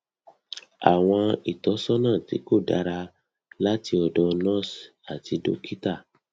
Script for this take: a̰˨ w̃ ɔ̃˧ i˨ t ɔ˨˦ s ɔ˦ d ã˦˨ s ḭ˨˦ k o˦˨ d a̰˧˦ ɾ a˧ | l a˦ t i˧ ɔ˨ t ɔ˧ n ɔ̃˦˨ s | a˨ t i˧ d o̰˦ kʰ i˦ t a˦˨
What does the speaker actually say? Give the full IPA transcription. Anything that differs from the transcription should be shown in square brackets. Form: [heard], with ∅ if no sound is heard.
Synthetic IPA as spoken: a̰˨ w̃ ɔ̃˧ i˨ t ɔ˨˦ s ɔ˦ [n] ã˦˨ [t] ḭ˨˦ k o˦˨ d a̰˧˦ ɾ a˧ | l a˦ t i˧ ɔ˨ [d] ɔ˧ n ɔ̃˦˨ s | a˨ t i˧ d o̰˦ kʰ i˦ t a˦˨